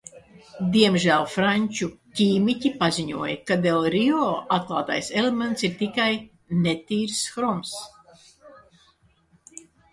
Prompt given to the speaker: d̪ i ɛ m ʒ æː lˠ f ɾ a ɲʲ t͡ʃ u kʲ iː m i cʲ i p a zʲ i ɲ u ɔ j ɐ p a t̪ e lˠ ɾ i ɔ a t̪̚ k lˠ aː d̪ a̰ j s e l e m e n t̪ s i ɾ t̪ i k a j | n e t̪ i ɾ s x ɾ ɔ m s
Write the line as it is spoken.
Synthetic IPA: d̪ i ɛ m ʒ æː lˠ f ɾ a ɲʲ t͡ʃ u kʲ iː m i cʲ i p a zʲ i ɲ u ɔ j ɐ k a d̪ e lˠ ɾ i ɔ a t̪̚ k lˠ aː t̪ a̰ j s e l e m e n t̪ s i ɾ t̪ i k a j | n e t̪ iː ɾ s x ɾ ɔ m s